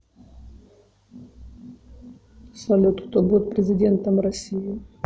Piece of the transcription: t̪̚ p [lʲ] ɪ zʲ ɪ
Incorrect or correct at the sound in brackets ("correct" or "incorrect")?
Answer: incorrect